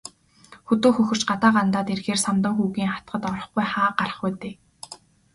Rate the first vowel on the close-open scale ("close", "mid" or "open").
mid